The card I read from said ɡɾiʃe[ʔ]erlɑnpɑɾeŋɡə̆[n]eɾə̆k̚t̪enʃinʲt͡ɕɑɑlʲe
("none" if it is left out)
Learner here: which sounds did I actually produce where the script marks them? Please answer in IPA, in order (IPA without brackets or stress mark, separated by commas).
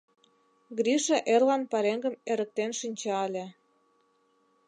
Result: ʔ, m